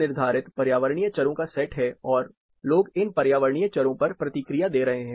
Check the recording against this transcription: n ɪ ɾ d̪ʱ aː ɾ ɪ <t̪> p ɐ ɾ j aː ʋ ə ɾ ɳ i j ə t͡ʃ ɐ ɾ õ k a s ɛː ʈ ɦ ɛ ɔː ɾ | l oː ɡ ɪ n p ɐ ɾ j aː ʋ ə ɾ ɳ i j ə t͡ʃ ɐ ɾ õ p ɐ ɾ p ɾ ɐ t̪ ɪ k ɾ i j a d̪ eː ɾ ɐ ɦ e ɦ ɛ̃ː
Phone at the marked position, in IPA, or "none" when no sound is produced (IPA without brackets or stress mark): t̪